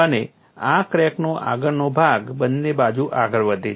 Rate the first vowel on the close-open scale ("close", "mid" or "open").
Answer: mid